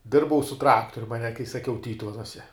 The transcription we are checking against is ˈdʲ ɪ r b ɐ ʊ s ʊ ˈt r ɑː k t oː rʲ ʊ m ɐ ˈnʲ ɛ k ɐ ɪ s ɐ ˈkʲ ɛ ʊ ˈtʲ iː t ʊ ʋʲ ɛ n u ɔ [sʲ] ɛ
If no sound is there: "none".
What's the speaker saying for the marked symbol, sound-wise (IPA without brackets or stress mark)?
sʲ